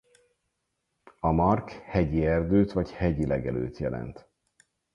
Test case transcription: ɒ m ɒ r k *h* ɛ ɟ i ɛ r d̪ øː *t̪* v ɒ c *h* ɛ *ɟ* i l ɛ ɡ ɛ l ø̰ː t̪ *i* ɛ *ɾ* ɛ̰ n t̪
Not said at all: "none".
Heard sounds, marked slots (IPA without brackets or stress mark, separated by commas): h, t̪, h, ɟ, j, l